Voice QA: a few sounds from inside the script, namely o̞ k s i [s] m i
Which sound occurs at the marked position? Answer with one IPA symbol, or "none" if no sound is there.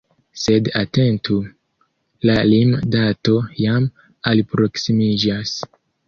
none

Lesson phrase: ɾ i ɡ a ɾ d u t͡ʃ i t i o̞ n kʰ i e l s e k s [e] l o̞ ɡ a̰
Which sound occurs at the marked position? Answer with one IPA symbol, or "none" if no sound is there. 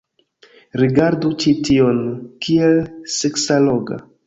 a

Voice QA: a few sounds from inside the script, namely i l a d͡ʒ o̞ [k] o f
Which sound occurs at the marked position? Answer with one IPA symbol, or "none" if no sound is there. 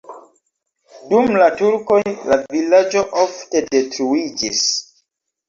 ʔ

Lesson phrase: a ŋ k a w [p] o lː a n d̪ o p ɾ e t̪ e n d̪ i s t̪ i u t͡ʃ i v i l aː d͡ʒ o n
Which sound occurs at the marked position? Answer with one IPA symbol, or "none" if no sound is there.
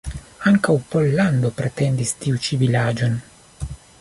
p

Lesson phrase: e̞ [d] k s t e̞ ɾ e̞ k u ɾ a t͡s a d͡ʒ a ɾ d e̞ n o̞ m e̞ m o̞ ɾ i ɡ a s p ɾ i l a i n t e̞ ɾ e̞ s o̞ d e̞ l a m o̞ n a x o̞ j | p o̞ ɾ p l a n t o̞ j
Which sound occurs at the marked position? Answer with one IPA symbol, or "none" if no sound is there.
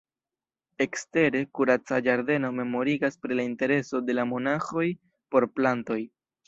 none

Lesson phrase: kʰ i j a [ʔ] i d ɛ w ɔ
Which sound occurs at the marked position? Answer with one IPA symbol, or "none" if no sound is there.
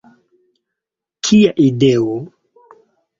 ʔ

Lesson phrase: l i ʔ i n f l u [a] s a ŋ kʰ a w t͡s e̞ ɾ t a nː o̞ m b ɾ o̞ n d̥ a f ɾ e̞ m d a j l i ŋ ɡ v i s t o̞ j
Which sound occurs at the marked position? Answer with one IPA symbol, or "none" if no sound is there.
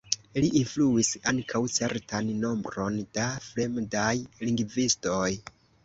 i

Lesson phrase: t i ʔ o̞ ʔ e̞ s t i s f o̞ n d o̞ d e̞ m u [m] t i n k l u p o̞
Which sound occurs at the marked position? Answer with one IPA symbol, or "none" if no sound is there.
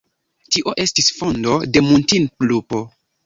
n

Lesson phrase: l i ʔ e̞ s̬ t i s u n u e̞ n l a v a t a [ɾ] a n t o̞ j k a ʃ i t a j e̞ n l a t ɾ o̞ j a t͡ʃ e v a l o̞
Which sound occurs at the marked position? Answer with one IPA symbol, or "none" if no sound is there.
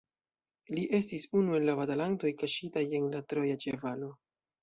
l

